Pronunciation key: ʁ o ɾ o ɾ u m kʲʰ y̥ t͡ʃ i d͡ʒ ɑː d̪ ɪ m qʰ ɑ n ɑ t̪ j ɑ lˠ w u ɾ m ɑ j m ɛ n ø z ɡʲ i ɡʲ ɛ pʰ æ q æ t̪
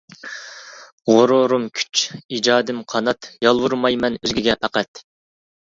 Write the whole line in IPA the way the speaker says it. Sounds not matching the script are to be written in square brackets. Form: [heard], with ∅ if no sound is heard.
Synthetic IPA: ʁ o ɾ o ɾ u m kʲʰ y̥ t͡ʃ i d͡ʒ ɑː d̪ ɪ m qʰ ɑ n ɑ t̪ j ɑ lˠ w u ɾ m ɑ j m ɛ n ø z ɡʲ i ɡʲ ɛ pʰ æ q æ t̪